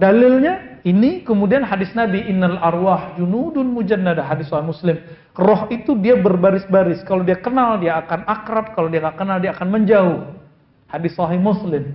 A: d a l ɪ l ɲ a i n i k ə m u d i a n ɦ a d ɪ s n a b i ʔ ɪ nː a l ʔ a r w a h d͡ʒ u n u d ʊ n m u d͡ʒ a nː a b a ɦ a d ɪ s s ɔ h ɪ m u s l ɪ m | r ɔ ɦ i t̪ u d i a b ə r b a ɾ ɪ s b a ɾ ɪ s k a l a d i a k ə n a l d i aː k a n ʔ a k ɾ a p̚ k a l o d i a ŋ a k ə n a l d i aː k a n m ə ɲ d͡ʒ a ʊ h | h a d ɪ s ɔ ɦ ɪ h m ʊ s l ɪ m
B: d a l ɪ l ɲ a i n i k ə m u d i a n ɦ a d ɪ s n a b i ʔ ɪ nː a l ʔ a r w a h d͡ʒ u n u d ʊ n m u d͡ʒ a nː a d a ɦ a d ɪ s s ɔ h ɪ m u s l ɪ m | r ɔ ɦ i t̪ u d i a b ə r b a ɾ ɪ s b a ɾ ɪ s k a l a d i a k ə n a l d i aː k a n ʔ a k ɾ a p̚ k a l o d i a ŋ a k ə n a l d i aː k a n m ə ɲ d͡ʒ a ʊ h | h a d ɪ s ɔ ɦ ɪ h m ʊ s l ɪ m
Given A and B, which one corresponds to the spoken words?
B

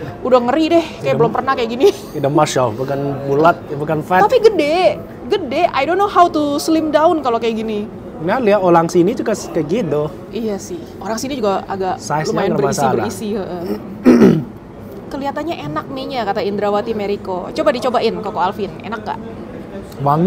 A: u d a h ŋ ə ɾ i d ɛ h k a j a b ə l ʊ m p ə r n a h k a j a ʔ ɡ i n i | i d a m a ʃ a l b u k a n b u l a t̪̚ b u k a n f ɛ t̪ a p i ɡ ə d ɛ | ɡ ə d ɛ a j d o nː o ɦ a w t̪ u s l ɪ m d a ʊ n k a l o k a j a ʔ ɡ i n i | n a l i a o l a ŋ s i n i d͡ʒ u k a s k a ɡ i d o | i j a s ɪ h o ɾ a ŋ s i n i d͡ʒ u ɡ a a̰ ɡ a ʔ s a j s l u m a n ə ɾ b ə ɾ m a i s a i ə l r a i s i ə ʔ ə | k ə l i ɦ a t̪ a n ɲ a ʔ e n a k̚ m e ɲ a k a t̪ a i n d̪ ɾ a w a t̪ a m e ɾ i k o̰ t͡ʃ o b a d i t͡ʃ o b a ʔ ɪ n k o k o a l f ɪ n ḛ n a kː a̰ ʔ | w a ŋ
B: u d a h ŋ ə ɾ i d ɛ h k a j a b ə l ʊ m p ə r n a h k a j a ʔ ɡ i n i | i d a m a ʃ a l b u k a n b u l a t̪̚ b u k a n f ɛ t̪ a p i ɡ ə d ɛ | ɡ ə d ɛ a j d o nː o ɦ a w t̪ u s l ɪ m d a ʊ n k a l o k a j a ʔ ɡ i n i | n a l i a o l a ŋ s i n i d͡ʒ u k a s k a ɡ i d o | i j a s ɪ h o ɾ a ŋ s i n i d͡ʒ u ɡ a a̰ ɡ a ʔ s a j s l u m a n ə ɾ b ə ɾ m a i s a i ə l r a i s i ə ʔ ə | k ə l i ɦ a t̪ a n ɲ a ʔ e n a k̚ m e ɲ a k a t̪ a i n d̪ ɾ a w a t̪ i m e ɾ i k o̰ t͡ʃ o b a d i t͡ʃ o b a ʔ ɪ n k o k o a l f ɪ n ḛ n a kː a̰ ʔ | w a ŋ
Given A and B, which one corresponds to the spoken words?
B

